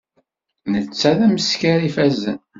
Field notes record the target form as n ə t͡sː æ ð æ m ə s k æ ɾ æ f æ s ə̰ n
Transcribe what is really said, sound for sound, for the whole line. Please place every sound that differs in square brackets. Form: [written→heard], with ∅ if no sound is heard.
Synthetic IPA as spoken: n ə t͡sː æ ð æ m ə s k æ ɾ [æ→i] f æ [s→z] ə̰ n